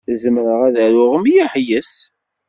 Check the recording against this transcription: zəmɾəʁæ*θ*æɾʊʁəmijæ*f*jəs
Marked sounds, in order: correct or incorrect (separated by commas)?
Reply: incorrect, incorrect